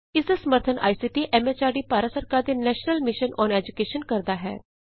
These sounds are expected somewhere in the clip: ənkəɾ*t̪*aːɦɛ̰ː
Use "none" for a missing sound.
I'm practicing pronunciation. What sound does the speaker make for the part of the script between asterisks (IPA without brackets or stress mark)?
d̪